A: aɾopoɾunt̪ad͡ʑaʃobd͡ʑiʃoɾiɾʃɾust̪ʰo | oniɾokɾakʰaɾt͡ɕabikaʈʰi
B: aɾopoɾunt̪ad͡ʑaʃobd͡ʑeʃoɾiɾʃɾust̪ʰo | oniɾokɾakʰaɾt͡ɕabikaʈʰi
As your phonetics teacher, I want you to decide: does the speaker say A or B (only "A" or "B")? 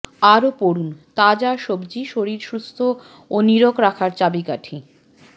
A